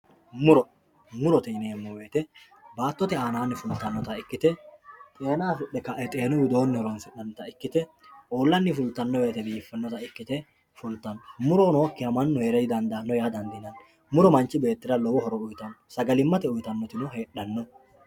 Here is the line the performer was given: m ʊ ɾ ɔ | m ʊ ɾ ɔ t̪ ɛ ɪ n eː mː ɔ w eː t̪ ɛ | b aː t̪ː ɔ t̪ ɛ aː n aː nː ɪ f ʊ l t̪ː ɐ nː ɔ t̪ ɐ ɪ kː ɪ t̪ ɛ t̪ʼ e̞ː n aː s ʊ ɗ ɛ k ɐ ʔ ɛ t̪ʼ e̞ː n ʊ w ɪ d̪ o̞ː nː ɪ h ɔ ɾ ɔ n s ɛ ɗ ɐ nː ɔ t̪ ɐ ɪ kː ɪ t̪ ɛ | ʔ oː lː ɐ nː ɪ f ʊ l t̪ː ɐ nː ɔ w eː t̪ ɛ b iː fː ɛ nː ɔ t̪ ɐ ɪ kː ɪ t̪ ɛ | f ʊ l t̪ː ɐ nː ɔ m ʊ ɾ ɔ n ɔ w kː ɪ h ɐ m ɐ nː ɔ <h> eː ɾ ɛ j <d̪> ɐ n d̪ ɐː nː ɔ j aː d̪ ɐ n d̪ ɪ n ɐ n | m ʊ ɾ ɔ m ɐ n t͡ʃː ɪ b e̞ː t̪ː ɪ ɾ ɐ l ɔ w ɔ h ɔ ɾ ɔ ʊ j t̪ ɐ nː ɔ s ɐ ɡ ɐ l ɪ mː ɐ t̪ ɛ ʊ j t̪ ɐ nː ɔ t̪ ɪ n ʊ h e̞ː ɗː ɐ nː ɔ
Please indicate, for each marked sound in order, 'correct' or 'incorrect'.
correct, correct

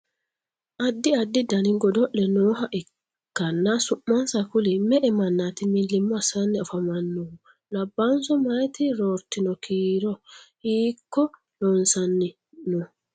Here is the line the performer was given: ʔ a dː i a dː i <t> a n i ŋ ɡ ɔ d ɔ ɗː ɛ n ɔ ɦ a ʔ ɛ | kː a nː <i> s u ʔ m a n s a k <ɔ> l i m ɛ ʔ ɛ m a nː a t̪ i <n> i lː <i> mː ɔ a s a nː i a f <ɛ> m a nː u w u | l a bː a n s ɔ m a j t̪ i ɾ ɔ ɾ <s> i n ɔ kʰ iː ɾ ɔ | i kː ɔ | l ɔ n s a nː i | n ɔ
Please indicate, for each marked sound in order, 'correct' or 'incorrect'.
incorrect: d, incorrect: a, incorrect: u, incorrect: m, correct, incorrect: a, incorrect: t

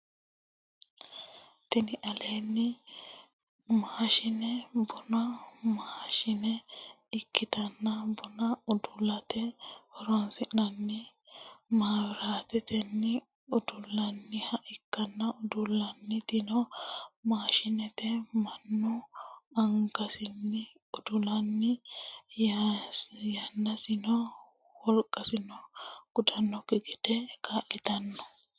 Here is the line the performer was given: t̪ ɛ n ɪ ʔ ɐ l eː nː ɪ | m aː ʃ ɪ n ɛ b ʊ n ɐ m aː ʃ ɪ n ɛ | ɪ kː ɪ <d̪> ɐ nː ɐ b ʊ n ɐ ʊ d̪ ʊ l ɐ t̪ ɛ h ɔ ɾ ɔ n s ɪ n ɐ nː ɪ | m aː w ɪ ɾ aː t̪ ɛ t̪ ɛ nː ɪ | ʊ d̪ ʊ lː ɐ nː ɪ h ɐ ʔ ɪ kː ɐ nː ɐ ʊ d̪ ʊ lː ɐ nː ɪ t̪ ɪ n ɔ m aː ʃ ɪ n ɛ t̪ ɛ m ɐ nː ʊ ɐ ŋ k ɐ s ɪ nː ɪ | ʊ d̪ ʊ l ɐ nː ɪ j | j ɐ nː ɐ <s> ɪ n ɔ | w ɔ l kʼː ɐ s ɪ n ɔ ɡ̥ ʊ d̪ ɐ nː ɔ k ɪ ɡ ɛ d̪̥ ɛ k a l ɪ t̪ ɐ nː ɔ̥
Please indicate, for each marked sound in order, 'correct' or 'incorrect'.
incorrect: t̪, correct

